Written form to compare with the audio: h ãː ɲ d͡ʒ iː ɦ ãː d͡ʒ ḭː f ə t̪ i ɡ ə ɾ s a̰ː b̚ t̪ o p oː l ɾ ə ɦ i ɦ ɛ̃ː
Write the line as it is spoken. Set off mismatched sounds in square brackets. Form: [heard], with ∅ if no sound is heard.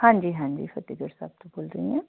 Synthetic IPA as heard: h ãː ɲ d͡ʒ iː ɦ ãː d͡ʒ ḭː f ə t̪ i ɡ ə ɾ s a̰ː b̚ t̪ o [b] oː l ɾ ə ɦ i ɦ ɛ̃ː